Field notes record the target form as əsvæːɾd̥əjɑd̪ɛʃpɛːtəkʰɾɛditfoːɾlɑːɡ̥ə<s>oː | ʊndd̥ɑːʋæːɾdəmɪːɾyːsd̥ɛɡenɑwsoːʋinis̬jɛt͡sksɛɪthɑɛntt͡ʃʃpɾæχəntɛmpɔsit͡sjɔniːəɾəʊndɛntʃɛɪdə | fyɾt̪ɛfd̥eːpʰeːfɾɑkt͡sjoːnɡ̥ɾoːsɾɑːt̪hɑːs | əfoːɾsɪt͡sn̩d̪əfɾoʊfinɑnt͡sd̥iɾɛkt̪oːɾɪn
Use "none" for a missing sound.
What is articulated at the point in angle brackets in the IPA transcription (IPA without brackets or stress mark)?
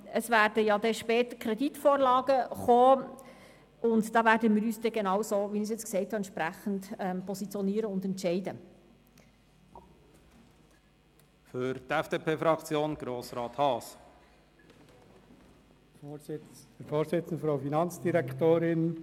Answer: χ